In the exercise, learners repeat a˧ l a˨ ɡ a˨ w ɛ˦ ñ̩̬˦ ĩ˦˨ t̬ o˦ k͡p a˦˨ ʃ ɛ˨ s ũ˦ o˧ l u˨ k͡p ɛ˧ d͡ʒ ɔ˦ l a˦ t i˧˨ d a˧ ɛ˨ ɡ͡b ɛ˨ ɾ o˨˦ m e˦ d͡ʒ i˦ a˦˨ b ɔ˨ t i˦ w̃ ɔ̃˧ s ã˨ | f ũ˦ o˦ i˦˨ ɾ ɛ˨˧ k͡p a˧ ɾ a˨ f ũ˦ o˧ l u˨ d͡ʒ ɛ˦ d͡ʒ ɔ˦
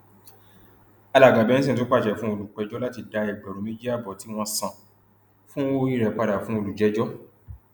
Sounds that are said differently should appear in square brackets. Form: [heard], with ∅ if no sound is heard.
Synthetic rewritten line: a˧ l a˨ ɡ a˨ [b] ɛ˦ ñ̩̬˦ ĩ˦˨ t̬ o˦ k͡p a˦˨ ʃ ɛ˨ [f] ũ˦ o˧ l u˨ k͡p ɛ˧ d͡ʒ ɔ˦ l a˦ t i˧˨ d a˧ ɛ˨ ɡ͡b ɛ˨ ɾ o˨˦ m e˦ d͡ʒ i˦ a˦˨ b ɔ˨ t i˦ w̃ ɔ̃˧ s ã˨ | f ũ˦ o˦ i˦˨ ɾ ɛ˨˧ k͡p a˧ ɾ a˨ f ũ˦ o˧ l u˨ d͡ʒ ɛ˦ d͡ʒ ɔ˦